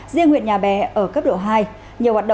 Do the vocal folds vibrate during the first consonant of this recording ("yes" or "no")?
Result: yes